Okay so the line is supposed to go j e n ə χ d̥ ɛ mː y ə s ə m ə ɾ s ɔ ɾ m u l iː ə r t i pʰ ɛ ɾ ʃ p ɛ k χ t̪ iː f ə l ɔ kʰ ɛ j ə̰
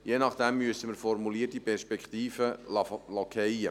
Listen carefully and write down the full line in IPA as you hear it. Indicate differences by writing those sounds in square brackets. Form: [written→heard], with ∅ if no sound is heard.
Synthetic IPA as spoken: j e n [ə→ɑ] χ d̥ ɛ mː y ə s ə m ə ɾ [s→f] ɔ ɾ m u l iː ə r t i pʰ ɛ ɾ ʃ p ɛ k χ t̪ iː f ə l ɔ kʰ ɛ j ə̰